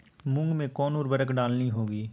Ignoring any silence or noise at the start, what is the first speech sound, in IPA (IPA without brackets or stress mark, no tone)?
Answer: m